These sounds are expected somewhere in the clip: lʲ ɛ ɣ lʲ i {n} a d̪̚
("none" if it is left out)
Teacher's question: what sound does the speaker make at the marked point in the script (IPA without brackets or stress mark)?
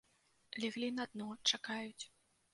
n